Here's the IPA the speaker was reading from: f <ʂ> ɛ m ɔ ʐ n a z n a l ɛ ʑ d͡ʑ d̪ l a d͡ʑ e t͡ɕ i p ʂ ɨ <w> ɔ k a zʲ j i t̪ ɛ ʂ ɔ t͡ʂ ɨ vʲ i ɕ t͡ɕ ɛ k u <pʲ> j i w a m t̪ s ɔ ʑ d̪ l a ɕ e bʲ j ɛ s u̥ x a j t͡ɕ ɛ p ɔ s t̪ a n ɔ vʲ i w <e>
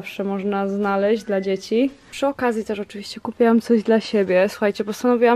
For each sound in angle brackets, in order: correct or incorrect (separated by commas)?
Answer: correct, incorrect, correct, incorrect